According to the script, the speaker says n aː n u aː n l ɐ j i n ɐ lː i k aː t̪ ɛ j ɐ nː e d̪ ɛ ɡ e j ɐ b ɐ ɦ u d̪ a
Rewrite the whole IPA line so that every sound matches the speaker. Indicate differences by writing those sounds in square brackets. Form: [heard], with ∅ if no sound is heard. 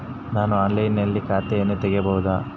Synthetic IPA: n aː n u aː n l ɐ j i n ɐ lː i k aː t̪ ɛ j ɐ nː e [t̪] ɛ ɡ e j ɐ b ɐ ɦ u d̪ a